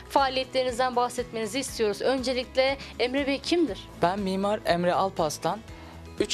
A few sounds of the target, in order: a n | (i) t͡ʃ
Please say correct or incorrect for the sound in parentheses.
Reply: incorrect